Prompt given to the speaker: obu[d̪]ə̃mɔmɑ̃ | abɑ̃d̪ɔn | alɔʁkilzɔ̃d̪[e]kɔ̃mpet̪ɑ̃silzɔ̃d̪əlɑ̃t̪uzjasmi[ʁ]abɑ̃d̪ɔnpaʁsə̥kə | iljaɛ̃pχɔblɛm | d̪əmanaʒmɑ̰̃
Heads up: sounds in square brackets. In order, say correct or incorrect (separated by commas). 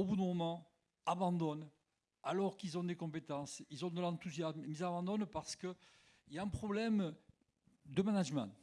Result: correct, correct, incorrect